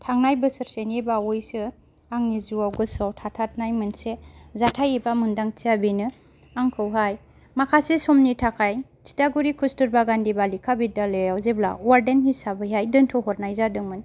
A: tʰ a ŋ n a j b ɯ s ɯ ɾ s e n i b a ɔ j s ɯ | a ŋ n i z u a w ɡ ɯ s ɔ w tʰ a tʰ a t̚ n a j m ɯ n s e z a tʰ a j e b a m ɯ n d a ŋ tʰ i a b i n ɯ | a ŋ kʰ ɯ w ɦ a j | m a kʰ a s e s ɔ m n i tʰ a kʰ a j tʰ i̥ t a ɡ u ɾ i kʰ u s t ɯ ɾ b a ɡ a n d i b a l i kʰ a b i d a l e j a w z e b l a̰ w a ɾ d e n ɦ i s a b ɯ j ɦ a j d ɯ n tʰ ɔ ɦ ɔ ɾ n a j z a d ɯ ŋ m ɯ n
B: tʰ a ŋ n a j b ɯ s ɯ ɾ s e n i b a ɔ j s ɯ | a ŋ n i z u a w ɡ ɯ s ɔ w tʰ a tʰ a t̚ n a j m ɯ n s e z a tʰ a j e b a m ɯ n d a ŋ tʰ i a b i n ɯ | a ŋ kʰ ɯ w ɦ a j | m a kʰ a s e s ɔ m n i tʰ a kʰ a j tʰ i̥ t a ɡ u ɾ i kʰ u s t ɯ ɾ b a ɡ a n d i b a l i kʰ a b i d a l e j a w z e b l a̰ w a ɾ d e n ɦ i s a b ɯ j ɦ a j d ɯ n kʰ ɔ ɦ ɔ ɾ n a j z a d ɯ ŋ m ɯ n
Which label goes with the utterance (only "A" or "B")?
A